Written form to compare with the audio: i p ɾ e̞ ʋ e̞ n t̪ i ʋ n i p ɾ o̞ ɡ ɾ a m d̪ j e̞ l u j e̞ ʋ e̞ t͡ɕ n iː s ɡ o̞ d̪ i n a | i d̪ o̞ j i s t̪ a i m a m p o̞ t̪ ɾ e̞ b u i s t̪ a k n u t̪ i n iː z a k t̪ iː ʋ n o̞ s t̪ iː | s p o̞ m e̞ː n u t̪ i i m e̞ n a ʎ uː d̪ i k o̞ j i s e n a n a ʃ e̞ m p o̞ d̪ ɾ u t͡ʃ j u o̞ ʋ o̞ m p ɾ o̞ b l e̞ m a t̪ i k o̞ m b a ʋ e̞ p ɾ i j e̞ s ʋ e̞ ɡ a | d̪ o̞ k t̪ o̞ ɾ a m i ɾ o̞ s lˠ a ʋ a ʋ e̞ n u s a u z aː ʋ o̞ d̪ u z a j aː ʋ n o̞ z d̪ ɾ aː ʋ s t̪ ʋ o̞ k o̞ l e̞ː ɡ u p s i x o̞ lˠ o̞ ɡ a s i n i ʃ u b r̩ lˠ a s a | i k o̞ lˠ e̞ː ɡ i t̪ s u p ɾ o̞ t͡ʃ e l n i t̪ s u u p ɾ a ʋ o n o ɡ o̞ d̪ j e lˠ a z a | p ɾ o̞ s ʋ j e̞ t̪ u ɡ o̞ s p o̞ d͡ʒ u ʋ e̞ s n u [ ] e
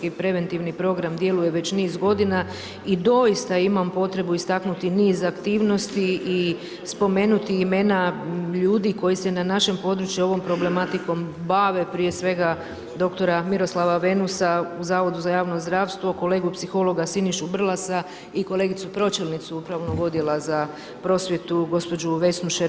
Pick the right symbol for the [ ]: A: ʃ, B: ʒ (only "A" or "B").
A